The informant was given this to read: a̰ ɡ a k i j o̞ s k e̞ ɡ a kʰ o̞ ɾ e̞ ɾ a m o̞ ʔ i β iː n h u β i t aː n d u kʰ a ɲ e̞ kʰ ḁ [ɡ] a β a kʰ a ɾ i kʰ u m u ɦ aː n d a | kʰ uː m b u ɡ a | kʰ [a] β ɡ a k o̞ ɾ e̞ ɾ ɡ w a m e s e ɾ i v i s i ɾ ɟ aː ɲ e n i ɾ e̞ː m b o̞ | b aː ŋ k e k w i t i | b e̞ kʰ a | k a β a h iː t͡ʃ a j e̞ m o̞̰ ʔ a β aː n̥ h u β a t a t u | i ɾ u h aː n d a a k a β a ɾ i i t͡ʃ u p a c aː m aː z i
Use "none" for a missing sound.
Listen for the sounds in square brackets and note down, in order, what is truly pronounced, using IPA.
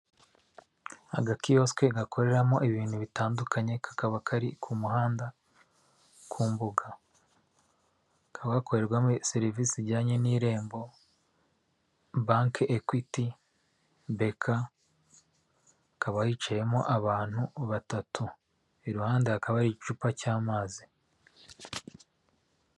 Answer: k, a

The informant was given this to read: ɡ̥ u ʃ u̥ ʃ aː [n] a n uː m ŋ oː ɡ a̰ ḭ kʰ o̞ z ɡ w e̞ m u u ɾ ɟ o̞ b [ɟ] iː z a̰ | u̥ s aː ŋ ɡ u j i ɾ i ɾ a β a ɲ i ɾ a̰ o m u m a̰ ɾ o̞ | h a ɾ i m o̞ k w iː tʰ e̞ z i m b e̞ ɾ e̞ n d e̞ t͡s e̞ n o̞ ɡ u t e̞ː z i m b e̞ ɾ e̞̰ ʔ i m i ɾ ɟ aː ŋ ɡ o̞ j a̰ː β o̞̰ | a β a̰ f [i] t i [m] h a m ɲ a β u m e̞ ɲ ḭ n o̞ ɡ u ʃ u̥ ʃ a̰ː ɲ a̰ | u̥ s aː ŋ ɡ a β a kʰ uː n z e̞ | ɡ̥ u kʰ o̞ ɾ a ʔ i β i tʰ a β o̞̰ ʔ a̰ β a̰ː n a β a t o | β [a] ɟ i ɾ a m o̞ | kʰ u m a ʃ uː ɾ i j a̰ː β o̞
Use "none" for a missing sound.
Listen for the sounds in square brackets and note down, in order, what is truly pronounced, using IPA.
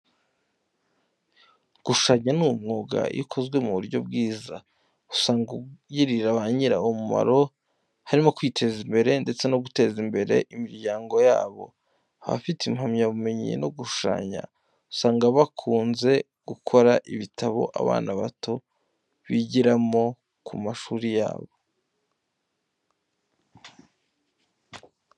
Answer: ɲ, ɡ, i, m, i

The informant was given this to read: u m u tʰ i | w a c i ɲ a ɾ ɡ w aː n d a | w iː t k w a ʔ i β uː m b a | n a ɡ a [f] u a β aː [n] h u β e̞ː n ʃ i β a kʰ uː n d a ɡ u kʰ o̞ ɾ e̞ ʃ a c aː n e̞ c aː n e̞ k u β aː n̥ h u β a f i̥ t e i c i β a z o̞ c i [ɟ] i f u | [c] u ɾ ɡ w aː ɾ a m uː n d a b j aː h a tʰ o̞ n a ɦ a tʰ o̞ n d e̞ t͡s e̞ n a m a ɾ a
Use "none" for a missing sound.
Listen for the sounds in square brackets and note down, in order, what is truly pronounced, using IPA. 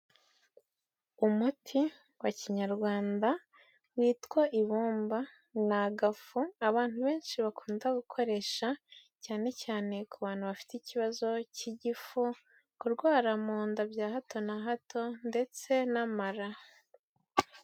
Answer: f, n, ɟ, k

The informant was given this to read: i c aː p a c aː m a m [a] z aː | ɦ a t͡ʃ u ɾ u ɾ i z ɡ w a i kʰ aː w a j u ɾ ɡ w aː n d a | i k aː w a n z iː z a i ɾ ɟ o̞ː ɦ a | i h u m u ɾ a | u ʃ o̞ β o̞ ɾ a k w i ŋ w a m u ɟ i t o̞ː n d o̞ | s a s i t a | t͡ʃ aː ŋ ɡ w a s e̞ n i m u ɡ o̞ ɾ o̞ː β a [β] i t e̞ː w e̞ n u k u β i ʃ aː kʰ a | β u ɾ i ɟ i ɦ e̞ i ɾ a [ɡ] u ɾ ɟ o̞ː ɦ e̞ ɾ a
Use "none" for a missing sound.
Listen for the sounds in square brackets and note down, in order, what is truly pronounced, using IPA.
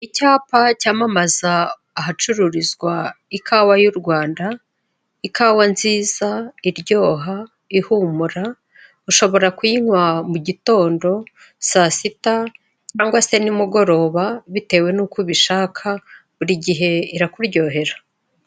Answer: a, β, k

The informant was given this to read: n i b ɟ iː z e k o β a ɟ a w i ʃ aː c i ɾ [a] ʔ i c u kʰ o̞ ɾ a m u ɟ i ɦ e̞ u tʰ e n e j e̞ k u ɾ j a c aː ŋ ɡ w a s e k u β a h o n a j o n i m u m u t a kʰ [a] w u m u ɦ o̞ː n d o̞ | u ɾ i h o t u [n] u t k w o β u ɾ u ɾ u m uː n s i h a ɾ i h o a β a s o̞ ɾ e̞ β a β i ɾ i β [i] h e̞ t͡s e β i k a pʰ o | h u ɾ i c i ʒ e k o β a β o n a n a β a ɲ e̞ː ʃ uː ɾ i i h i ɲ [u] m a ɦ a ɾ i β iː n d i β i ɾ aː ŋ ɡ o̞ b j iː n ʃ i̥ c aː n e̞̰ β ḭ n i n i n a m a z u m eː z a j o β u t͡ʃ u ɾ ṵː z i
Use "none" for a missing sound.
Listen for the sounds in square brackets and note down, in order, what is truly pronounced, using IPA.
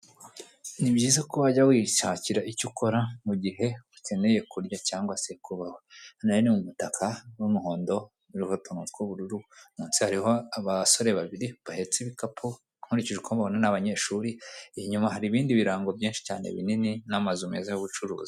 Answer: a, a, n, a, u

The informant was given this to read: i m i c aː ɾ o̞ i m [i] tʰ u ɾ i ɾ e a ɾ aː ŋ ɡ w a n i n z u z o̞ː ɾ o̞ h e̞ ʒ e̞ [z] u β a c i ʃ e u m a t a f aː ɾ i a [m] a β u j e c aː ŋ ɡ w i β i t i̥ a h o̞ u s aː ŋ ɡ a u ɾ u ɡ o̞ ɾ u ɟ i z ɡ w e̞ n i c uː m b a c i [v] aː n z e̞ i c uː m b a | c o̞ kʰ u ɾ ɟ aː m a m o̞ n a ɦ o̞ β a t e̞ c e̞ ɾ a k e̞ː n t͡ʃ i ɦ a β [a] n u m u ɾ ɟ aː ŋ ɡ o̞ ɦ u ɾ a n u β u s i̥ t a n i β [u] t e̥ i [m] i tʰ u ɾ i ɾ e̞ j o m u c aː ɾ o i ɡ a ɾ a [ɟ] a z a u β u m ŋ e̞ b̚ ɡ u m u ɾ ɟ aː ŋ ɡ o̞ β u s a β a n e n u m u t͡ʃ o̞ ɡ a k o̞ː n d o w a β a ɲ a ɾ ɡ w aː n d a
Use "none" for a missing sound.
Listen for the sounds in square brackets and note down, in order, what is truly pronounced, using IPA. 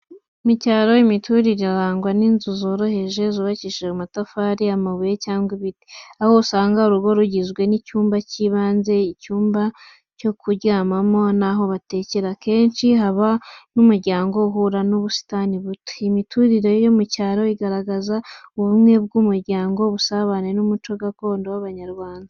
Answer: i, z, m, β, a, u, m, ɡ

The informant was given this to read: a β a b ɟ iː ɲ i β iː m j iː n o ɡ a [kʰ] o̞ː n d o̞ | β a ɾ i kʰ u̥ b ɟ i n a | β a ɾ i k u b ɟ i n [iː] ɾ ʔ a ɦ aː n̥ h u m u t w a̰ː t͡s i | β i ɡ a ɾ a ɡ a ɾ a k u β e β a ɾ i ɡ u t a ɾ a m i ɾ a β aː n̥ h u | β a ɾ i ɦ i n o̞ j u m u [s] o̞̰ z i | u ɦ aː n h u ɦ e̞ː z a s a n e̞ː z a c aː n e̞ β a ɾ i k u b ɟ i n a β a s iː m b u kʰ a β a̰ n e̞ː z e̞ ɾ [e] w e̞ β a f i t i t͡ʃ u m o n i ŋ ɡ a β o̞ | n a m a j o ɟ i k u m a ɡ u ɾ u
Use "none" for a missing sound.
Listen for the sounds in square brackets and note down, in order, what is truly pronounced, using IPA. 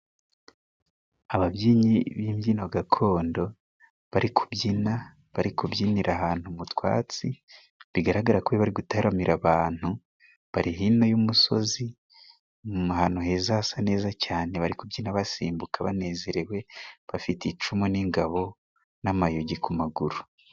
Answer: kʰ, i, s, e

